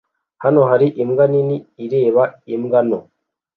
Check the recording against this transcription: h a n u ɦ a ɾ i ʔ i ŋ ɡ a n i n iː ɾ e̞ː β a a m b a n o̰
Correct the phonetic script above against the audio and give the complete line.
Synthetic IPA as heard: h a n o ɦ a ɾ i ʔ i m ɡ a n i n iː ɾ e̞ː β a i m ɡ a n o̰